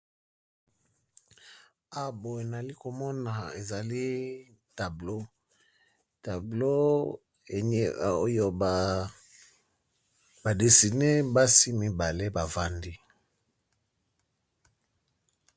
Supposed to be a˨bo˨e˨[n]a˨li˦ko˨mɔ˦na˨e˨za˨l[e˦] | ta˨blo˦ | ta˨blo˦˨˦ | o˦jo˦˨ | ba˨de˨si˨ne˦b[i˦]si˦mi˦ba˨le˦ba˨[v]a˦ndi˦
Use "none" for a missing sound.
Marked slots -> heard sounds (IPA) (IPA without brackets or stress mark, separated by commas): n, i˦, a˦, v